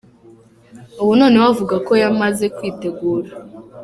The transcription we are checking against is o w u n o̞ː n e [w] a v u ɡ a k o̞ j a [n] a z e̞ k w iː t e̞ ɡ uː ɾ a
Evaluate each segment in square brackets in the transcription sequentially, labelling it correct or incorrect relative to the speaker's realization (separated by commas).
correct, incorrect